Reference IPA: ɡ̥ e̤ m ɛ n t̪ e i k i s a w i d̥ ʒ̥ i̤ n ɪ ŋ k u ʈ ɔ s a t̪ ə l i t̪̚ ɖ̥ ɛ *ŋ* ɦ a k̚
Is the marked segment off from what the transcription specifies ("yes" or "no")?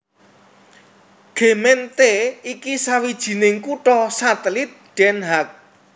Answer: yes